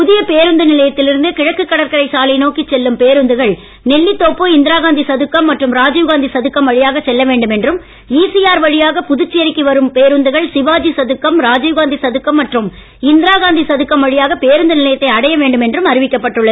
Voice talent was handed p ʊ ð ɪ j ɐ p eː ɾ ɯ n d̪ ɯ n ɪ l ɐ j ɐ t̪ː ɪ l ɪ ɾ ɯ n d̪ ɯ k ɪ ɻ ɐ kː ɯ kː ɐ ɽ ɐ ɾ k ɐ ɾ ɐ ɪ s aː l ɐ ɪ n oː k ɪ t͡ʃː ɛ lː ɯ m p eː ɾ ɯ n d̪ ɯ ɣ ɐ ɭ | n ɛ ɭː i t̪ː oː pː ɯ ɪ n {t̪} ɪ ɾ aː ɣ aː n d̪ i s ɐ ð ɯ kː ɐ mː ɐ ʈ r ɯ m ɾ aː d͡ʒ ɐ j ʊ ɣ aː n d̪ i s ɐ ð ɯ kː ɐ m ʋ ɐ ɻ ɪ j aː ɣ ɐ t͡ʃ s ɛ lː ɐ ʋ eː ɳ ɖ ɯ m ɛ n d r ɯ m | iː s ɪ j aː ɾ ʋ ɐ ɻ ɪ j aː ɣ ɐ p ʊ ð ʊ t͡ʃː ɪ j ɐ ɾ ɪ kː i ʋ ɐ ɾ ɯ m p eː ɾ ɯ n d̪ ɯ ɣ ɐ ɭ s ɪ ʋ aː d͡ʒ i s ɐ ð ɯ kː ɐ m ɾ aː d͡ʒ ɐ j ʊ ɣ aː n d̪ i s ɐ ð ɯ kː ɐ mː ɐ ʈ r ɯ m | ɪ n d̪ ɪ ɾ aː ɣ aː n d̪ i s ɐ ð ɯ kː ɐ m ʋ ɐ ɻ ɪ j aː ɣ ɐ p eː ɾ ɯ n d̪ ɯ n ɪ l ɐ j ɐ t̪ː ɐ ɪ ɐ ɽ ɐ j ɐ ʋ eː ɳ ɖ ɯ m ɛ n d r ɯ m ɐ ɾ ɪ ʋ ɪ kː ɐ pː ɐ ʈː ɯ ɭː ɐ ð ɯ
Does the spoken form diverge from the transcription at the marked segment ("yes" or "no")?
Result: yes